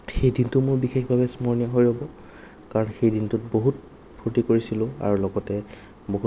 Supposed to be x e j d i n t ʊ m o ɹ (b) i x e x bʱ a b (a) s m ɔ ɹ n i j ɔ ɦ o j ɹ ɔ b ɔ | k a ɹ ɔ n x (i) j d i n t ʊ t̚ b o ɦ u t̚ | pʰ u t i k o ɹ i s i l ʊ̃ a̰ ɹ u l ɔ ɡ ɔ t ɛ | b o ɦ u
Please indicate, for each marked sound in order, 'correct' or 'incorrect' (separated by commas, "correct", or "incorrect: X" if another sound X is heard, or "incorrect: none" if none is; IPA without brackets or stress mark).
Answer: correct, incorrect: ɛ, incorrect: e